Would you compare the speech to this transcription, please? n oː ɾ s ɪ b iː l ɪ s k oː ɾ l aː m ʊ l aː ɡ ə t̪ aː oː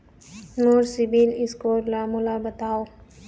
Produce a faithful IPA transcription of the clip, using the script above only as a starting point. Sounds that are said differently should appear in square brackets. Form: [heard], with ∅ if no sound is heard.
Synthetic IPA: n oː ɾ s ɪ b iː l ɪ s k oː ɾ l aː m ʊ l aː [b] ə t̪ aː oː